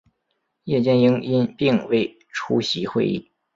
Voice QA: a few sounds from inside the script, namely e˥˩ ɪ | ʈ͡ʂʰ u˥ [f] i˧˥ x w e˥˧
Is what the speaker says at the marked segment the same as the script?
no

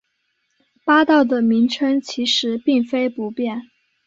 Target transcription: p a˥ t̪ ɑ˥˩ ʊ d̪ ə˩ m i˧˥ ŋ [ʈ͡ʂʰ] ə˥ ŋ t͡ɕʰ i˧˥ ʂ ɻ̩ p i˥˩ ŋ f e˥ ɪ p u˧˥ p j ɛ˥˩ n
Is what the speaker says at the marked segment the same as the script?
yes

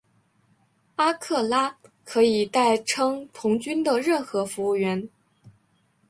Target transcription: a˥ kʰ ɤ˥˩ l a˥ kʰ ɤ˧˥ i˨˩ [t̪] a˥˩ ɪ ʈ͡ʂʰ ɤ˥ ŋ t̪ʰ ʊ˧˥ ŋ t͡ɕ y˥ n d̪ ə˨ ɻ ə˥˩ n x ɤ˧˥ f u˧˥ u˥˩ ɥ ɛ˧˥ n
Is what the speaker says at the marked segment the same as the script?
yes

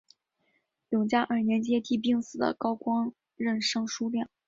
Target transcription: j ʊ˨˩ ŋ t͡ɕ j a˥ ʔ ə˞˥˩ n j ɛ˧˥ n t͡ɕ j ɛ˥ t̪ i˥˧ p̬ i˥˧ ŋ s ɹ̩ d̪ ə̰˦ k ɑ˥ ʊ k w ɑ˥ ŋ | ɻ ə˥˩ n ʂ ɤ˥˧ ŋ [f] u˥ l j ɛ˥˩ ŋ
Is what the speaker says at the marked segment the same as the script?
no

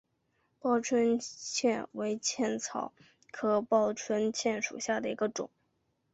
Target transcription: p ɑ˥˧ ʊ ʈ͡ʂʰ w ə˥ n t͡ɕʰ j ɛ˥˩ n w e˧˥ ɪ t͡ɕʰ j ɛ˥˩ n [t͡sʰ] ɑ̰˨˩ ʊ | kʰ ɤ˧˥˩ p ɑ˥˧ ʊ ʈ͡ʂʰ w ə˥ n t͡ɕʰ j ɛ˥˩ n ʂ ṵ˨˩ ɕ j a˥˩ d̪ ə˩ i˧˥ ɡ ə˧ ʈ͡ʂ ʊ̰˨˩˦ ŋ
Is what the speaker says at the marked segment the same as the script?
yes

